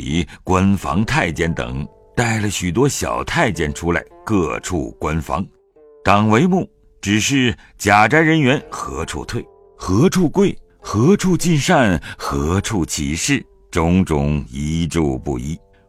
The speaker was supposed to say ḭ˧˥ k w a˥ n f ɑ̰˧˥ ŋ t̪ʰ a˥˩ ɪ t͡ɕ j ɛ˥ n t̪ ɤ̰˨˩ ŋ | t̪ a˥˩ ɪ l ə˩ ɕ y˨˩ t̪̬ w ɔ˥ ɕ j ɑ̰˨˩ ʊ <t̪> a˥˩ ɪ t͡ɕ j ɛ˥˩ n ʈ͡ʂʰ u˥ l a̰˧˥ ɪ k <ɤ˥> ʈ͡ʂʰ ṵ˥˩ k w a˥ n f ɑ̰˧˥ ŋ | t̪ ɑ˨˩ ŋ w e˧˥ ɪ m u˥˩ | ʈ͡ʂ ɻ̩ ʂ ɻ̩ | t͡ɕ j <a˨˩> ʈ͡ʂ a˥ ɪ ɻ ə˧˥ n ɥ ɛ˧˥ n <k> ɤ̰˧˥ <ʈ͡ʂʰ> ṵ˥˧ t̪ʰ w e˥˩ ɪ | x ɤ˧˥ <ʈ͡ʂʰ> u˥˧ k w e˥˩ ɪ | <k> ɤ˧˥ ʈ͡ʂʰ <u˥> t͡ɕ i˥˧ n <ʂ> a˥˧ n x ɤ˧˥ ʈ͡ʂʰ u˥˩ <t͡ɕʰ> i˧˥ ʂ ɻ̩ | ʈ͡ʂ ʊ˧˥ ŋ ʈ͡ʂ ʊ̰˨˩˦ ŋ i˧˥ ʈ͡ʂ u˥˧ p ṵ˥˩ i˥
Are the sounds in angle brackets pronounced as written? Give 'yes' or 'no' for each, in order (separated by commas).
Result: no, no, yes, no, yes, yes, no, no, yes, yes